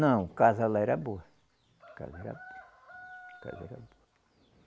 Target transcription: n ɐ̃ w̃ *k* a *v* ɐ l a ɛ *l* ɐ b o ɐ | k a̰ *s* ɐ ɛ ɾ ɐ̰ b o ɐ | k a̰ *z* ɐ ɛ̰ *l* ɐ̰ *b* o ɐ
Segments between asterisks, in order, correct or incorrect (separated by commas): correct, incorrect, incorrect, incorrect, correct, incorrect, correct